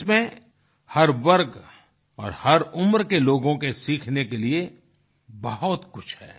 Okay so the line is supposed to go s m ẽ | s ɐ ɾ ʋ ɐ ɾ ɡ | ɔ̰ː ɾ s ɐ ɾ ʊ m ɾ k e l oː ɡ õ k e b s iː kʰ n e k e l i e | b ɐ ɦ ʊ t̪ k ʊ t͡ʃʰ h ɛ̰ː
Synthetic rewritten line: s m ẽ | h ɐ ɾ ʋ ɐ ɾ ɡ | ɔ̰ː ɾ h ɐ ɾ ʊ m ɾ k e l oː ɡ õ k e s iː kʰ n e k e l i e | b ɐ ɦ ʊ t̪ k ʊ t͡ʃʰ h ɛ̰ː

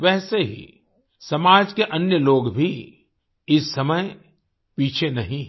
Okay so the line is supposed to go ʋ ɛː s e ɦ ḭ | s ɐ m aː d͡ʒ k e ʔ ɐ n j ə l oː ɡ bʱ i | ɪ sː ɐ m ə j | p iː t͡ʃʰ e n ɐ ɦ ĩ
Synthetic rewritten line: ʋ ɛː s e ɦ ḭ | s ɐ m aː d͡ʒ k e ʔ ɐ n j ə l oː ɡ bʱ i | ɪ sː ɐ m ə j | p iː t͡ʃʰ e n ɐ ɦ ĩ

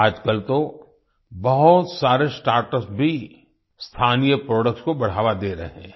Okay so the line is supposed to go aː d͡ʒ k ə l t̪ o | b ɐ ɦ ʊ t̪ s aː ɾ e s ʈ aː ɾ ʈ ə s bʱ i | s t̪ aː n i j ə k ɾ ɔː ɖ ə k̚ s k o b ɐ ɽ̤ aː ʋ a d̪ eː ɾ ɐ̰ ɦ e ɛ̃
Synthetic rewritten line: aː d͡ʒ k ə l t̪ o | b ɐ ɦ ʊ t̪ s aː ɾ e s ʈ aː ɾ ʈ ə s bʱ i | s t̪ʰ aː n i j ə p ɾ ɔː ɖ ə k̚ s k o b ɐ ɽ̤ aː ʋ a d̪ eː ɾ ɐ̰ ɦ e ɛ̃

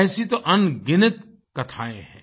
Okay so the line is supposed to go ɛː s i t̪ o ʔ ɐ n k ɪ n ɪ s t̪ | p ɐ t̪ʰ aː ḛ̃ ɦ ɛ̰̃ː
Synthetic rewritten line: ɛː s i t̪ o ʔ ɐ n ɡ ɪ n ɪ t̪ | k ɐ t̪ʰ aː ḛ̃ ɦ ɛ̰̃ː

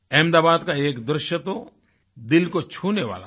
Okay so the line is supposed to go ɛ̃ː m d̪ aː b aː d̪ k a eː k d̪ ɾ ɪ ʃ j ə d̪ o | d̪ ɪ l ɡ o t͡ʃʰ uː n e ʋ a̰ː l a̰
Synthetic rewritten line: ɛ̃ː m d̪ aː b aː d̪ k a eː k d̪ ɾ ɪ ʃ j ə t̪ o | d̪ ɪ l k o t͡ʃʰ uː n e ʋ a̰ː l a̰

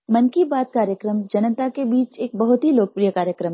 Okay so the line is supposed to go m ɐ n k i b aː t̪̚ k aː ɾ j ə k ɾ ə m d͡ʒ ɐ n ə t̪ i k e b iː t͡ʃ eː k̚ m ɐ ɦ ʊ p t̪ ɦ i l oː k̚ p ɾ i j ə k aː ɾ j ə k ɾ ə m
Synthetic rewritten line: m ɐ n k i b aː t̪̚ k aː ɾ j ə k ɾ ə m d͡ʒ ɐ n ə t̪ a k e b iː t͡ʃ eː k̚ b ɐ ɦ ʊ t̪ ɦ i l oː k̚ p ɾ i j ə k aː ɾ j ə k ɾ ə m

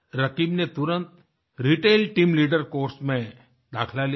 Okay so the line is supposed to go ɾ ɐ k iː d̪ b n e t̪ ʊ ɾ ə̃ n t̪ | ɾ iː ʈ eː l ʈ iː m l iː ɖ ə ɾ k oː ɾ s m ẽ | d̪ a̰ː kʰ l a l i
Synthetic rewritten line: ɾ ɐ k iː b n e t̪ ʊ ɾ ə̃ n t̪ | ɾ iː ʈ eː l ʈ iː m l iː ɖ ə ɾ k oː ɾ s m ẽ | d̪ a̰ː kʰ l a l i

